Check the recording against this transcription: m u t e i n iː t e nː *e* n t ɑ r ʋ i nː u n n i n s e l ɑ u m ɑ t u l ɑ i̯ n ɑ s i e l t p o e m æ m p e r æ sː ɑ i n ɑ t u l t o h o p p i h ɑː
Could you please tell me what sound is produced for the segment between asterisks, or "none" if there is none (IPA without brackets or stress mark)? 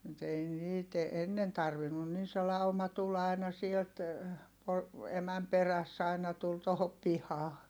e